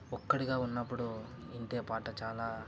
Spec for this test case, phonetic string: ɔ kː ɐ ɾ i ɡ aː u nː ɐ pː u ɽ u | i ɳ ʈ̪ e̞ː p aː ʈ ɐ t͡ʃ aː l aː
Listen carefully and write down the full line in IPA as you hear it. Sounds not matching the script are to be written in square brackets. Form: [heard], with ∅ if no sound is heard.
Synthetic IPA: ɔ kː ɐ [ɽ] i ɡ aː u nː ɐ pː u ɽ u | i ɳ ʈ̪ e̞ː p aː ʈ ɐ t͡ʃ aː l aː